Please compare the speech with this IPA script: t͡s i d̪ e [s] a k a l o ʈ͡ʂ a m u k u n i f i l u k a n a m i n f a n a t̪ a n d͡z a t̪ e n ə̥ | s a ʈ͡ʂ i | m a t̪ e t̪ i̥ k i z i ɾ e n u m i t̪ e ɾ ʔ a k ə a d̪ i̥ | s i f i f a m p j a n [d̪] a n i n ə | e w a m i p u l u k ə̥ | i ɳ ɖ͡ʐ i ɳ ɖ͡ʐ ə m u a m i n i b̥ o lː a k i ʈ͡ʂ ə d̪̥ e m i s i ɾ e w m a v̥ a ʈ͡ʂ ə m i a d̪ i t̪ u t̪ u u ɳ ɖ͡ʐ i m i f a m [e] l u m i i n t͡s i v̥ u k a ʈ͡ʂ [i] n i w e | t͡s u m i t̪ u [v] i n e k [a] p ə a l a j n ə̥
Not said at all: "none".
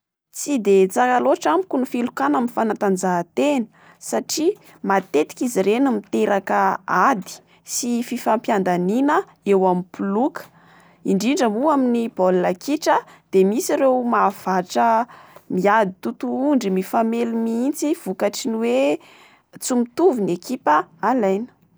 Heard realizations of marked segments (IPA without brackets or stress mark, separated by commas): t͡s, d̪, e, i, v, i